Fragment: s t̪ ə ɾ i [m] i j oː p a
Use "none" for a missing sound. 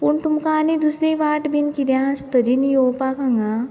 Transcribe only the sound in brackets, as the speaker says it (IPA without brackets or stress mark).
n